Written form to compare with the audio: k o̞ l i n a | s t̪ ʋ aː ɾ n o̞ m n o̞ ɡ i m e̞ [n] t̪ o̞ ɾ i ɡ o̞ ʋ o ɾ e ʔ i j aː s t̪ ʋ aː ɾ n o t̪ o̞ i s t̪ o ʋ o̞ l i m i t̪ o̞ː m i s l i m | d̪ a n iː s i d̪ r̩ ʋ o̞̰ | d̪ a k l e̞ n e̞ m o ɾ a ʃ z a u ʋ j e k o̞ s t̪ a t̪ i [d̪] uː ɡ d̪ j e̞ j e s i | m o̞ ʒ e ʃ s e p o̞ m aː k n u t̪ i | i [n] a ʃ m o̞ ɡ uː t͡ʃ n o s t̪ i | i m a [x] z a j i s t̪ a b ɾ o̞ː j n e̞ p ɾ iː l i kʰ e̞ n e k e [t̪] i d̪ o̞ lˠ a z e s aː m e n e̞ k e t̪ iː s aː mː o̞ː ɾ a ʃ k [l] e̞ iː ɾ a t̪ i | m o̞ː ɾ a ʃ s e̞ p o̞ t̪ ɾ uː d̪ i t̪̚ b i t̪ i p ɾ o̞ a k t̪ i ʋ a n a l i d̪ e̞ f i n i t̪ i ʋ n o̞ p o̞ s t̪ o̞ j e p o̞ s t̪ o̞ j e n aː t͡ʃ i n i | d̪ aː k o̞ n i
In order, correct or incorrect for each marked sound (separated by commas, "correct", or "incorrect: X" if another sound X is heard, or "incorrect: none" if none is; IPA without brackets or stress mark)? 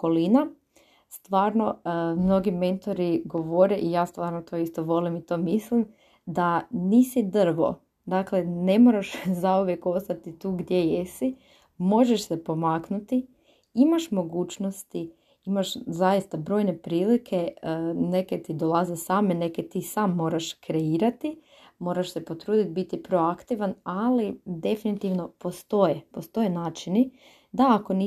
correct, incorrect: t̪, incorrect: m, incorrect: ʃ, correct, incorrect: ɾ